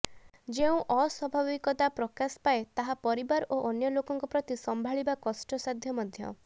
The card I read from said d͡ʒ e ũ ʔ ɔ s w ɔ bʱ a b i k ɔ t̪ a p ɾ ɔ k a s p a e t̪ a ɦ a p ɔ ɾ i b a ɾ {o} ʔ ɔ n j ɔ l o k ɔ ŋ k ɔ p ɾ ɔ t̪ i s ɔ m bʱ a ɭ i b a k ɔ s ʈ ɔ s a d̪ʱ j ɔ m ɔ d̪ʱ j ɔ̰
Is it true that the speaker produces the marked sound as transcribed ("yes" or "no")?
yes